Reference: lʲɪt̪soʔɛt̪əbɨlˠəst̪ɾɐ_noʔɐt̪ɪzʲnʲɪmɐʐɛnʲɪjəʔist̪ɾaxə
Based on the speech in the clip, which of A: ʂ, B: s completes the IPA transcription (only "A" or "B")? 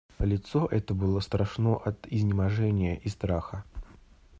A